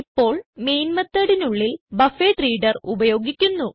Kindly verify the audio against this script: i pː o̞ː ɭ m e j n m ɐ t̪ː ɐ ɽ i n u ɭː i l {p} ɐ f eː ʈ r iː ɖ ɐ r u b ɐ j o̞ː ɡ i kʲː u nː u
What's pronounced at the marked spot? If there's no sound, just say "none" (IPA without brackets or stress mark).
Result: b